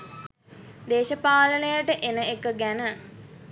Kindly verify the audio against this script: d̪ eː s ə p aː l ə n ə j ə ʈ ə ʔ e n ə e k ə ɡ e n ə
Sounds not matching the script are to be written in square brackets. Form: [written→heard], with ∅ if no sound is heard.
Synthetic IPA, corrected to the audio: d̪ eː [s→ʃ] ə p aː l ə n ə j ə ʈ ə ʔ e n ə e k ə ɡ [e→æ] n ə